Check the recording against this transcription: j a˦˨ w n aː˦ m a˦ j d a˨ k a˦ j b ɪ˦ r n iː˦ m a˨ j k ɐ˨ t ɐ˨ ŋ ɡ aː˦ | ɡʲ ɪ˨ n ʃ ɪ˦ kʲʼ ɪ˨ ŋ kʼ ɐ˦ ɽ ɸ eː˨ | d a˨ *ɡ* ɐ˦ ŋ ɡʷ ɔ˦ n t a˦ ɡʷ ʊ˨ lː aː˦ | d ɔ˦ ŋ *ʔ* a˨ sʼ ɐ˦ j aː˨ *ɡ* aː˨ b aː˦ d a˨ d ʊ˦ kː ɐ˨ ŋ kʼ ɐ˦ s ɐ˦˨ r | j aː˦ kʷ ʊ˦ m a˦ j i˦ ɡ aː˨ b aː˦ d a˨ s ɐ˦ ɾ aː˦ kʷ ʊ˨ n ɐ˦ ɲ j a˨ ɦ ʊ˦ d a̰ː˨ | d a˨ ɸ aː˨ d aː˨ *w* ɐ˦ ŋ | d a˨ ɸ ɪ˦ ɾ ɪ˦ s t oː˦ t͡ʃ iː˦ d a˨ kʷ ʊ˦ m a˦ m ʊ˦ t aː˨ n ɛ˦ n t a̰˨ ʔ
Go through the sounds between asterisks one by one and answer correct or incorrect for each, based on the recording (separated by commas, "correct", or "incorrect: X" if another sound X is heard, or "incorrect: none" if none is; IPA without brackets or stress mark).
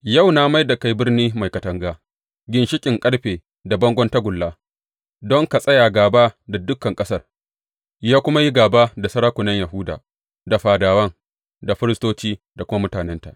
incorrect: b, incorrect: k, correct, correct